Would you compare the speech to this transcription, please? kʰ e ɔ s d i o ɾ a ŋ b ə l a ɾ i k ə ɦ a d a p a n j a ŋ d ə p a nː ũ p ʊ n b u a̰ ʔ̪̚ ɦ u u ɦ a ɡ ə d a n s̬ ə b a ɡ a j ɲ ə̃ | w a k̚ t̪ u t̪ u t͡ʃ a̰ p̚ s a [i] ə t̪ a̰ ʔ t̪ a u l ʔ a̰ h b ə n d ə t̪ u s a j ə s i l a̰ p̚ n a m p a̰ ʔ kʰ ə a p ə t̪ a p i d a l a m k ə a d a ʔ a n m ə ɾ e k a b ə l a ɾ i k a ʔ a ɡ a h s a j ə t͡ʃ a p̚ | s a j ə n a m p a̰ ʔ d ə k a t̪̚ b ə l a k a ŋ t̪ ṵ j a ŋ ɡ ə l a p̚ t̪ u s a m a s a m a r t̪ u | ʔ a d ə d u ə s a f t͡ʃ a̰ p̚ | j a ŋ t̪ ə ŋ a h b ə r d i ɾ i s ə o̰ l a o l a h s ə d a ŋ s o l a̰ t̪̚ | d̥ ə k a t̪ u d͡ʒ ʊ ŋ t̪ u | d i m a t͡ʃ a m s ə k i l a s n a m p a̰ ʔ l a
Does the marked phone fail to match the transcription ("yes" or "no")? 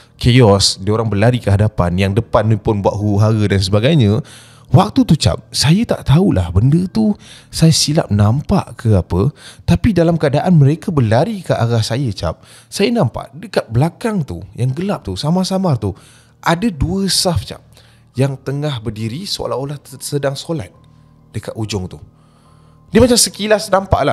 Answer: yes